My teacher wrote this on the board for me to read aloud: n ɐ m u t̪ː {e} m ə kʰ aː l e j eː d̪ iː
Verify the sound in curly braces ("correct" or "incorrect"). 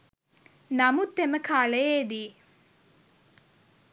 correct